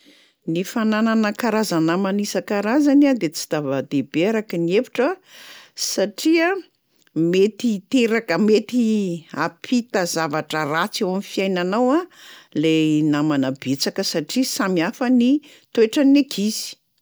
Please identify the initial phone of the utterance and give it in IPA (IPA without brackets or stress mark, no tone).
n